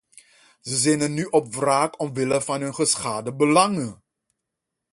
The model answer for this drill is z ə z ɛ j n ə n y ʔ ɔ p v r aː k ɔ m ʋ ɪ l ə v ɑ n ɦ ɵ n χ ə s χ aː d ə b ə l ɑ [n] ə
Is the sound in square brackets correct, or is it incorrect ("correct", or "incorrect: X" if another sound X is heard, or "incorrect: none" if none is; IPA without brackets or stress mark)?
incorrect: ŋ